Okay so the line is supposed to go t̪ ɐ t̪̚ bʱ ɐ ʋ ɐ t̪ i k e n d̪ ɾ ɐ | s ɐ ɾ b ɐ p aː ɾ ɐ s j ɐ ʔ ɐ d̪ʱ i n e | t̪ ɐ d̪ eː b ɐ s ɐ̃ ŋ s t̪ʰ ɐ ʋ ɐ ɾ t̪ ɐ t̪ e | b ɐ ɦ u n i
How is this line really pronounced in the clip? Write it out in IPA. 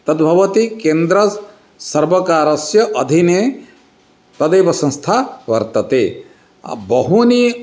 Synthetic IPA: t̪ ɐ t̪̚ bʱ ɐ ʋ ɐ t̪ i k e n d̪ ɾ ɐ | s ɐ ɾ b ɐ k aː ɾ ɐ s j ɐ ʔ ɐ d̪ʱ i n e | t̪ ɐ d̪ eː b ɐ s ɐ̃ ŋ s t̪ʰ a ʋ ɐ ɾ t̪ ɐ t̪ e | b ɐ ɦ u n i